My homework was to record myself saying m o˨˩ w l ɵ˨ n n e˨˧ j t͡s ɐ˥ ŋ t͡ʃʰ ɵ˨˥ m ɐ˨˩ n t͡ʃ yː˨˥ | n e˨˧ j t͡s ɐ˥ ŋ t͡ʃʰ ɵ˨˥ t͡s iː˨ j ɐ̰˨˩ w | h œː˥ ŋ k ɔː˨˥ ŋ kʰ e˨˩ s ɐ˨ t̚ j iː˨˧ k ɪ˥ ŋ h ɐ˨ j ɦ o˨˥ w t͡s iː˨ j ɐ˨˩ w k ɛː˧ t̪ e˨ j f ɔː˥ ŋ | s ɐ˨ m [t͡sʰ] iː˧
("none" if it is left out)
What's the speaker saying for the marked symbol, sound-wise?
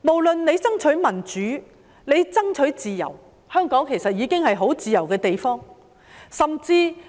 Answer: t͡s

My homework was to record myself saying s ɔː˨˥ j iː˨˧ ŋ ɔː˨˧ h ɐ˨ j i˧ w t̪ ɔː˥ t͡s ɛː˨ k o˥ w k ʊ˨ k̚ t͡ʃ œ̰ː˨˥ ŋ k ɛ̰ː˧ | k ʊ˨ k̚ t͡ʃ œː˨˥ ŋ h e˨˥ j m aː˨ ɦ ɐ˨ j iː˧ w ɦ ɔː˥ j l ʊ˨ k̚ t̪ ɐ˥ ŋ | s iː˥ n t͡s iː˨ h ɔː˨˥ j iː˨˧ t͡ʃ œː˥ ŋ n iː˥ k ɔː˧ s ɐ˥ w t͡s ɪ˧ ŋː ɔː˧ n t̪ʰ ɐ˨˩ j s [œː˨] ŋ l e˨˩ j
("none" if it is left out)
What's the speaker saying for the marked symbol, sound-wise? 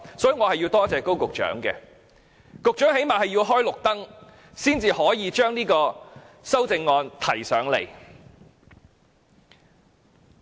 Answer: œː˨˥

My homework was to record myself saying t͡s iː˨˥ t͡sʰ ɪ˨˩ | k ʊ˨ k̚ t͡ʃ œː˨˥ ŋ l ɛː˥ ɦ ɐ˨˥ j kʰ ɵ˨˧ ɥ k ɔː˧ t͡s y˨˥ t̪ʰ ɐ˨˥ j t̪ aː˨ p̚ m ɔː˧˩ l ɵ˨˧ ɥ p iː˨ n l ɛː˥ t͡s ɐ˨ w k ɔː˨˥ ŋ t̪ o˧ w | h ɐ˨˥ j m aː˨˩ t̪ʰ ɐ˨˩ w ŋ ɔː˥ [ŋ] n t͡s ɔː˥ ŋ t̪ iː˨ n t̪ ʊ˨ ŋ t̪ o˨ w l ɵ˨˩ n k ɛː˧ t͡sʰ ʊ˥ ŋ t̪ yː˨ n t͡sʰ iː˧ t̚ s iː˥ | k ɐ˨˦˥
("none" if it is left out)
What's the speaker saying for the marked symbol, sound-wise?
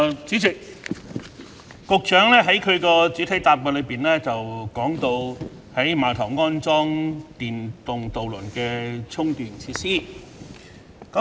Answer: none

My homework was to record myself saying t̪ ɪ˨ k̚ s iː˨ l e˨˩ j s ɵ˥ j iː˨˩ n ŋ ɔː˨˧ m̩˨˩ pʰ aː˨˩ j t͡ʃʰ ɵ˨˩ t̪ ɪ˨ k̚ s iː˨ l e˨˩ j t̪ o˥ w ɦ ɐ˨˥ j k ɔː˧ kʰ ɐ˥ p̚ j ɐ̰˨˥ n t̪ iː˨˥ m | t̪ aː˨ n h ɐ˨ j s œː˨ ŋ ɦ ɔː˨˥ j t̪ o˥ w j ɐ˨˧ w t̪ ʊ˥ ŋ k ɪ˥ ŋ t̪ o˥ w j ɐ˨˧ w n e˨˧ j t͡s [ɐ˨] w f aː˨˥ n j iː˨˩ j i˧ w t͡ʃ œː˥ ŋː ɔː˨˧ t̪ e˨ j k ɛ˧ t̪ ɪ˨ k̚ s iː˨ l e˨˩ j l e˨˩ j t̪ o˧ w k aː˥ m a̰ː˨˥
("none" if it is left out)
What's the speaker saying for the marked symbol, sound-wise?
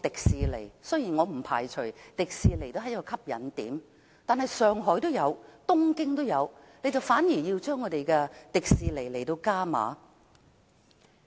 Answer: ɐ˨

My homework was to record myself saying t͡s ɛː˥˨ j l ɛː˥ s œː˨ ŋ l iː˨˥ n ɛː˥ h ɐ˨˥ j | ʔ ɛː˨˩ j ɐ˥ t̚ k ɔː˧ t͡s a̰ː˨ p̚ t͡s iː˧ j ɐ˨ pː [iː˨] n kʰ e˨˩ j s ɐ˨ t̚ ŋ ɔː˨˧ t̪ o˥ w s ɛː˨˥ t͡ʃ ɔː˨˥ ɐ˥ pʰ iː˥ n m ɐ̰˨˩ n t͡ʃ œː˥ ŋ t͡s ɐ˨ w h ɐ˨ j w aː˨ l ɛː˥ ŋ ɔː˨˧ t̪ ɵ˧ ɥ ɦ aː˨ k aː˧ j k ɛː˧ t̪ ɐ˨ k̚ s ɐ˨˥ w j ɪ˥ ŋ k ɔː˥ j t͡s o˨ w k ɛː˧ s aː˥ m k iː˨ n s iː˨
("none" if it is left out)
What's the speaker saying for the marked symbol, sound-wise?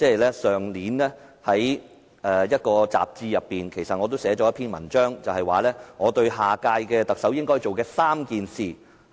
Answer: iː˨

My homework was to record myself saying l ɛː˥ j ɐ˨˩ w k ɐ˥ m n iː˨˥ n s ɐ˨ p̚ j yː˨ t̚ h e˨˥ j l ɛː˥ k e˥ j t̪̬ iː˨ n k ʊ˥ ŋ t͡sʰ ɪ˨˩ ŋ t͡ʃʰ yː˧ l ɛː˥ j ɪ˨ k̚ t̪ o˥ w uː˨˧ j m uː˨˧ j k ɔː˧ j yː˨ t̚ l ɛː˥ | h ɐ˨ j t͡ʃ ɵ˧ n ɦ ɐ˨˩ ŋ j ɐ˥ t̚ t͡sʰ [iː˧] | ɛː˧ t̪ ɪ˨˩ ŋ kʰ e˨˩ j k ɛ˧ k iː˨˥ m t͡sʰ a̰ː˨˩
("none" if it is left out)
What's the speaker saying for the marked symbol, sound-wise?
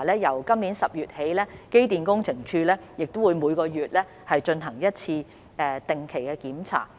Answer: iː˧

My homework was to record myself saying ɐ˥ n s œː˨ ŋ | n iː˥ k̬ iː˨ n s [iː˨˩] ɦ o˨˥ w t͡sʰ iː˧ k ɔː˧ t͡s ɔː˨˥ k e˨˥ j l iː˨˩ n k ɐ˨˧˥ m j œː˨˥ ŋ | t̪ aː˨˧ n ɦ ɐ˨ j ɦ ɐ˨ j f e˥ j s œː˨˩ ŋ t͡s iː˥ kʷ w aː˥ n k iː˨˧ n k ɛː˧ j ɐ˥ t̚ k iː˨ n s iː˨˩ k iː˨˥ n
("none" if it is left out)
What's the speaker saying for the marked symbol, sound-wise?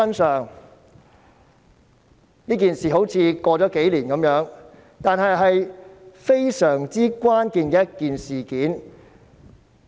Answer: iː˨˩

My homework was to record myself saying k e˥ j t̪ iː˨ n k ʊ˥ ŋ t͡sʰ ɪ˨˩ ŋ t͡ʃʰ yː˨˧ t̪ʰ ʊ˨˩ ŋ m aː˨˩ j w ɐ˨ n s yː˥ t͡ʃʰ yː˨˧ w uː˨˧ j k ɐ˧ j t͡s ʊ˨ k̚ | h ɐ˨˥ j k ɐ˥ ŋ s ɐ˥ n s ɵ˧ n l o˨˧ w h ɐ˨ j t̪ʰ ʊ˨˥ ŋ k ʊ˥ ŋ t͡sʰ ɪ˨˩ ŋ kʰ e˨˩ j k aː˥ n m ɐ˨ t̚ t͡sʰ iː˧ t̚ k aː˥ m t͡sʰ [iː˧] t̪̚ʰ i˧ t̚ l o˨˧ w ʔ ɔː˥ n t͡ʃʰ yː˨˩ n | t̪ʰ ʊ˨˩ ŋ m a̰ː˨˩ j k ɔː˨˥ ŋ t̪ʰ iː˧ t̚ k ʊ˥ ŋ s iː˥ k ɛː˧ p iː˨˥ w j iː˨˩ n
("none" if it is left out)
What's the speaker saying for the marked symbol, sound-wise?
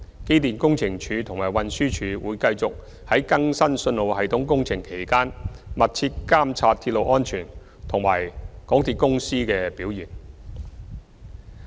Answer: aː˧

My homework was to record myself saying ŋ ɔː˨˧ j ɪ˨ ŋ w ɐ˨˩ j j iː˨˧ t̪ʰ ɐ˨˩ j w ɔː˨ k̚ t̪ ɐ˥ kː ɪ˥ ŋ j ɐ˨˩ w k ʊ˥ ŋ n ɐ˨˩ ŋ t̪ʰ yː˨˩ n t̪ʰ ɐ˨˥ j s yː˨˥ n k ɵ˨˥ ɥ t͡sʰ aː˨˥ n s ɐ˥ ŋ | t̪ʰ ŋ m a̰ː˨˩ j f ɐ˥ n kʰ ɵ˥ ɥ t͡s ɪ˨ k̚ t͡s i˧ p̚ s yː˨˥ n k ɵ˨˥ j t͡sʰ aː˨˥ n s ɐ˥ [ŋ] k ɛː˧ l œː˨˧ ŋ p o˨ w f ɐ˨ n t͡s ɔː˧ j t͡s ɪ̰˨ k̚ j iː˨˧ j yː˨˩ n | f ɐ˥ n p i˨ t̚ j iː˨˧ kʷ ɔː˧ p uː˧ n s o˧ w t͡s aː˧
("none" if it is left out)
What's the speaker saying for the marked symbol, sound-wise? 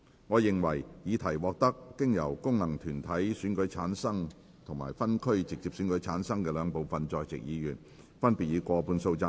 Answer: ŋ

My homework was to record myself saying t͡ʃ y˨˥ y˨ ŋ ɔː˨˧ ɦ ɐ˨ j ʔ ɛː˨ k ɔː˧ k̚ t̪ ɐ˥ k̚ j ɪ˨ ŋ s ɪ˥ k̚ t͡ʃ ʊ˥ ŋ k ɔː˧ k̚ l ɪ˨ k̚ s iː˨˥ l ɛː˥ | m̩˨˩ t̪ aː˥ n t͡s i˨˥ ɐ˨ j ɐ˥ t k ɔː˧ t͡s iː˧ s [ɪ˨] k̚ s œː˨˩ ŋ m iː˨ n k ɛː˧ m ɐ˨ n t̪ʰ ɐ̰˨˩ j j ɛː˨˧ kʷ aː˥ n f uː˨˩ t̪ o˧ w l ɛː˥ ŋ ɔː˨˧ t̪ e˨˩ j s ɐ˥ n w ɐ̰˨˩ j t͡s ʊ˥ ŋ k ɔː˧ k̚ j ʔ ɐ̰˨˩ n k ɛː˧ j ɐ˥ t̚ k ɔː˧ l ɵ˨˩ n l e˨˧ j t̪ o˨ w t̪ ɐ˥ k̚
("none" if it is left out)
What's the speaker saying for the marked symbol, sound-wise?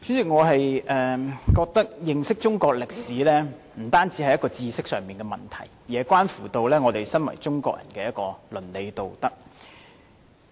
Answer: ɪ˥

